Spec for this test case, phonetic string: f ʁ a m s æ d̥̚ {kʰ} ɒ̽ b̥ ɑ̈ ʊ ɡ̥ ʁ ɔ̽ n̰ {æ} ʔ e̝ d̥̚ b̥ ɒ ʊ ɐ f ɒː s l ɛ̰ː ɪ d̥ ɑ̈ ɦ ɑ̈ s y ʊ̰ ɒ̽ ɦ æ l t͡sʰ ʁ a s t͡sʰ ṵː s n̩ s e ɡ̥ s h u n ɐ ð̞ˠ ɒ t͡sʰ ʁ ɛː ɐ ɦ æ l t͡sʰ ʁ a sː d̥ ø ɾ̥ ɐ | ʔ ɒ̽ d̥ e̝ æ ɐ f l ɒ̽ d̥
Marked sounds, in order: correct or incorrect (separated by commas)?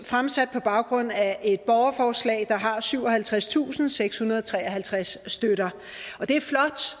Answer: incorrect, correct